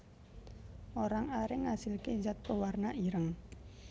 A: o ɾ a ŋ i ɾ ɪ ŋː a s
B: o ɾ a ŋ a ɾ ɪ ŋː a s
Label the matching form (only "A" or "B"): B